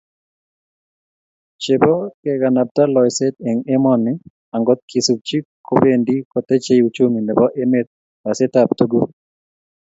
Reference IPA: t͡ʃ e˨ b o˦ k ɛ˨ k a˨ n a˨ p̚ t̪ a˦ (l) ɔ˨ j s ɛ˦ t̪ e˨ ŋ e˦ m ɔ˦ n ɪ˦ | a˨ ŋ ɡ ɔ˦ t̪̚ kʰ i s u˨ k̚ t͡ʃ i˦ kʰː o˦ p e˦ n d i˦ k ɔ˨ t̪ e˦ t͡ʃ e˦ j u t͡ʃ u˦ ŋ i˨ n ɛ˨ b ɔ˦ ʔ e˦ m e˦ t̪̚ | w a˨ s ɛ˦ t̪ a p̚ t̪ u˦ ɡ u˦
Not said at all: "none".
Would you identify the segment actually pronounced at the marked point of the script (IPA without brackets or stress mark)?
l